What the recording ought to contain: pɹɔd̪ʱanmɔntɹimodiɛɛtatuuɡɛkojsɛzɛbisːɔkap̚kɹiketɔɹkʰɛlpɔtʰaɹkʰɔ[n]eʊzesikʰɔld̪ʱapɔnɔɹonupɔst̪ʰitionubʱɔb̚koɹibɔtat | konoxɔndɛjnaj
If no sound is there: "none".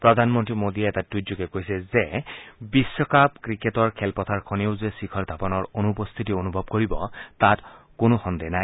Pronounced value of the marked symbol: n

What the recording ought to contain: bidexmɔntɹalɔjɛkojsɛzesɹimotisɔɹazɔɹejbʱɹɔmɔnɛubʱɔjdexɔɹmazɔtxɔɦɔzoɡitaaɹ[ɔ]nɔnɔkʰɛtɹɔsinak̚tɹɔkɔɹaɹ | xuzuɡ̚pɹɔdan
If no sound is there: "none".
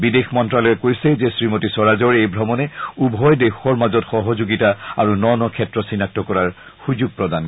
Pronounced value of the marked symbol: u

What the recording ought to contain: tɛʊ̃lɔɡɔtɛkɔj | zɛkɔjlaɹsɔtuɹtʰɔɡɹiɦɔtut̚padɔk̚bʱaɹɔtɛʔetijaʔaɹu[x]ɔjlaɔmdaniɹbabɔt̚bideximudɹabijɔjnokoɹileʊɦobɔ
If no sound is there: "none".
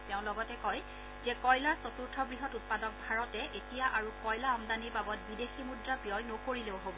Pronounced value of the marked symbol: k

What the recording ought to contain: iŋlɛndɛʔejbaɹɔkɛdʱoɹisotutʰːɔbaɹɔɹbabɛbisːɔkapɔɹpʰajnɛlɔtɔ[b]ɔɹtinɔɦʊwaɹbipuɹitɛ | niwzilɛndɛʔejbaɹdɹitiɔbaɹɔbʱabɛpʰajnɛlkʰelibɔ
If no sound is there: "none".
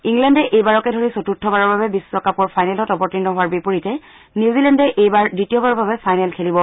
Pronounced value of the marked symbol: p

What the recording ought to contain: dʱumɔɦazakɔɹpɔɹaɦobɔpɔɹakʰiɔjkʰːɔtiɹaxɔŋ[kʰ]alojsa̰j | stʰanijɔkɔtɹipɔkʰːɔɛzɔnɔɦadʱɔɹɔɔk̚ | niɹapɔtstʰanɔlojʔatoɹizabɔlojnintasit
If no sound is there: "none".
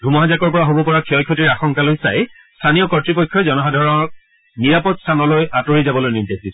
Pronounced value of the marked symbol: k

